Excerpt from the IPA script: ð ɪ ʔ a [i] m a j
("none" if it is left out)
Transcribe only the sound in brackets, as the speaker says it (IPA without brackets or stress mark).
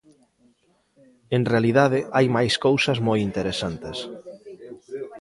j